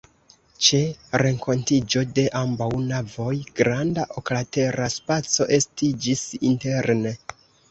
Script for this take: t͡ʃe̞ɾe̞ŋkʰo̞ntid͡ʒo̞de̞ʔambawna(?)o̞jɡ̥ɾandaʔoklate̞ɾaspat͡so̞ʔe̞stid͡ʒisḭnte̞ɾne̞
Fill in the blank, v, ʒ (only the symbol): v